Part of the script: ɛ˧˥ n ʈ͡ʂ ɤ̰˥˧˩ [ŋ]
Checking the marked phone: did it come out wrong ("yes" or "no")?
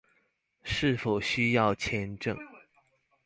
no